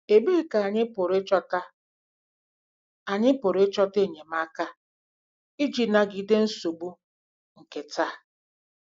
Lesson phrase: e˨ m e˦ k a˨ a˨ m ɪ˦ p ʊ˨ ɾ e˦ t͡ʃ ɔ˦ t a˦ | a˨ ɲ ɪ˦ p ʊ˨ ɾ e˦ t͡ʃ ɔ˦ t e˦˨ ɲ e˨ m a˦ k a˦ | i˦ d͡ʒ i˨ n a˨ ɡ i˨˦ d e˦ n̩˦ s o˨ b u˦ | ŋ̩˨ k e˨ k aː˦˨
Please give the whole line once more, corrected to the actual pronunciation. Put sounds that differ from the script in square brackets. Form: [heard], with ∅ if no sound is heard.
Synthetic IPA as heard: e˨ [b] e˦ k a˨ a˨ [ɲ] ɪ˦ p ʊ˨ ɾ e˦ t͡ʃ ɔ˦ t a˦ | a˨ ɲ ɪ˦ p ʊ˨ ɾ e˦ t͡ʃ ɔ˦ t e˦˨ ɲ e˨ m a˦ k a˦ | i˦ d͡ʒ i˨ n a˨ ɡ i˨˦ d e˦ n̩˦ s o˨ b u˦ | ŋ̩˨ k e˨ [t] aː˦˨